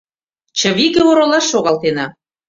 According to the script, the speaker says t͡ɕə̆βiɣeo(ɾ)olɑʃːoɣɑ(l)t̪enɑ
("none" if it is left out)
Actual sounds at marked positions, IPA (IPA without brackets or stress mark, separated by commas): ɾ, l